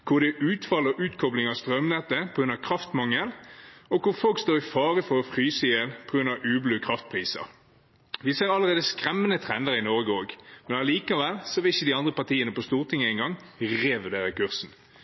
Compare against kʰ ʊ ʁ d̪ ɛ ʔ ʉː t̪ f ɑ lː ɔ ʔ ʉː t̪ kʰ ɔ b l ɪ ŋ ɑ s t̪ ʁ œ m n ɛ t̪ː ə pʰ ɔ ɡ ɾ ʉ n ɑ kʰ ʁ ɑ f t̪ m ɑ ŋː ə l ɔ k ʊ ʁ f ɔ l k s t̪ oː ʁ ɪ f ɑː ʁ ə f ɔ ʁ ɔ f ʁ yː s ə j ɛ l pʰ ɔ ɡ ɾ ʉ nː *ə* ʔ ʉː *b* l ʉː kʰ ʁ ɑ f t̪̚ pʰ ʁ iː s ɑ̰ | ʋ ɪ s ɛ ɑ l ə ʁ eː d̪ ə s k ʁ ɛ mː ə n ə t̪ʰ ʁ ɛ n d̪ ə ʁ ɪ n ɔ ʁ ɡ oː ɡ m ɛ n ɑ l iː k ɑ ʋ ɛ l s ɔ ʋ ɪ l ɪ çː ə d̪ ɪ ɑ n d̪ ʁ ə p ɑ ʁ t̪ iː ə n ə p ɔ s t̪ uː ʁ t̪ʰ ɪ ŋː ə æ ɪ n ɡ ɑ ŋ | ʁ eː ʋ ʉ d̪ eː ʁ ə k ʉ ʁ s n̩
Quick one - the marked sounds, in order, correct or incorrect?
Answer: incorrect, correct

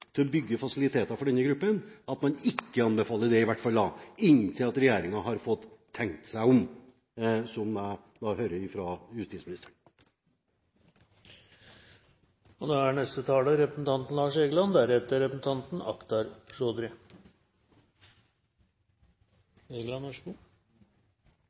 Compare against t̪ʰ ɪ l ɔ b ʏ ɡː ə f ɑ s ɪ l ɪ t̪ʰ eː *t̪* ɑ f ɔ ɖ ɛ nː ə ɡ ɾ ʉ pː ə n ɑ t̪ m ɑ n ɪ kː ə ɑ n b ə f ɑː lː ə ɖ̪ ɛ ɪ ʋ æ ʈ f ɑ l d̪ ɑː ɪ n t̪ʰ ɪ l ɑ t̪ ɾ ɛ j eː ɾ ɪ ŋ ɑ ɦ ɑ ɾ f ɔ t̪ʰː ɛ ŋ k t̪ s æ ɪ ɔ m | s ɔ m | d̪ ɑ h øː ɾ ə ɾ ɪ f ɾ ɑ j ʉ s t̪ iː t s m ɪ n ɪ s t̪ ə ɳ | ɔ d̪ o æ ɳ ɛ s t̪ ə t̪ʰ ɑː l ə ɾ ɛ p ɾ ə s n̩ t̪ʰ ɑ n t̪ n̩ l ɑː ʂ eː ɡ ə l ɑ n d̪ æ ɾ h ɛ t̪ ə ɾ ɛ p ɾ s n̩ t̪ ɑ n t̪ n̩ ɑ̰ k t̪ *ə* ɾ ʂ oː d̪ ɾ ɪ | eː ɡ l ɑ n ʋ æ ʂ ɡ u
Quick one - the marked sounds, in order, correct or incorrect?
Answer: correct, incorrect

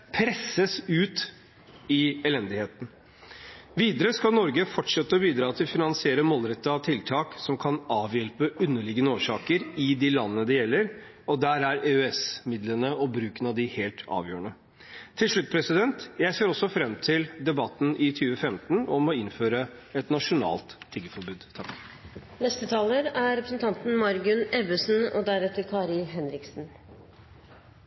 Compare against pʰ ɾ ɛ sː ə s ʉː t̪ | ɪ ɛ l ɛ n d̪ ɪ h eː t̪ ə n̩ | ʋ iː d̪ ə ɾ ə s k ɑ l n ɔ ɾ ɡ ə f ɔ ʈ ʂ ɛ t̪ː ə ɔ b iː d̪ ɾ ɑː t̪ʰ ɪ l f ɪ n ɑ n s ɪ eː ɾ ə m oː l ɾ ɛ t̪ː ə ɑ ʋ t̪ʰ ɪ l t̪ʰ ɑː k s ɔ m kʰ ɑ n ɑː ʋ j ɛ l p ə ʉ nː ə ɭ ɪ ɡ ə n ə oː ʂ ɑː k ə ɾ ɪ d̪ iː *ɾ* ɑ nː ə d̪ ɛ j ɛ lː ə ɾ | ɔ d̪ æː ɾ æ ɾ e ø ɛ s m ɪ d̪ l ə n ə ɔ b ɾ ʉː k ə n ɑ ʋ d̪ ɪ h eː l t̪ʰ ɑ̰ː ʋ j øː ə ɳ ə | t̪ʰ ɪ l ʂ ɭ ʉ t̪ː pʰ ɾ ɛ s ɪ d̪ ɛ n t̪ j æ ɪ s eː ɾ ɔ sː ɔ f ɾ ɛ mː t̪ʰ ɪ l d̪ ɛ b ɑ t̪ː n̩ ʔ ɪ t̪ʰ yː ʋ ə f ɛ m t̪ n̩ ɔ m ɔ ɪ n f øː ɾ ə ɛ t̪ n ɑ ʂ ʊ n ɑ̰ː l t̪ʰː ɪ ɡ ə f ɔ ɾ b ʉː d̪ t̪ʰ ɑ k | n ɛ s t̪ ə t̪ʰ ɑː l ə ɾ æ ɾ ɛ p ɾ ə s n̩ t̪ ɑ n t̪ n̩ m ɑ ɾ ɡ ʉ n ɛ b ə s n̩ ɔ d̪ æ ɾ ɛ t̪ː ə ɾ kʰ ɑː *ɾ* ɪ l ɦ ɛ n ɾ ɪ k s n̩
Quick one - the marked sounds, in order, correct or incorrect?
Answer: incorrect, correct

